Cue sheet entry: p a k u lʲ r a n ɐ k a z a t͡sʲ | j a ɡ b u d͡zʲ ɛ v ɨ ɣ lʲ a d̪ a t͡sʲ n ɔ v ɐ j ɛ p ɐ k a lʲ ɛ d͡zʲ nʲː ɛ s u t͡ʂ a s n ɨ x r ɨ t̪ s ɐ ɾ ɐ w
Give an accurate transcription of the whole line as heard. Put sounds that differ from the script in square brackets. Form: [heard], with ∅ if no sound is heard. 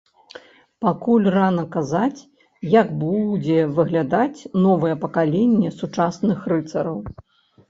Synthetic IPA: p a k u lʲ r a n ɐ k a z a t͡sʲ | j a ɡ b u d͡zʲ ɛ v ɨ ɣ lʲ a d̪ a t͡sʲ n ɔ v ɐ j ɛ p ɐ k a lʲ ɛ [∅] nʲː ɛ s u t͡ʂ a s n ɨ x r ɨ t̪ s ɐ ɾ ɐ w